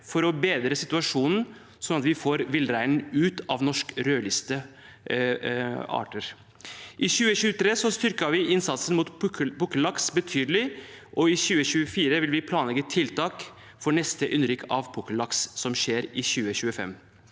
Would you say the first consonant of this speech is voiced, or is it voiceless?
voiceless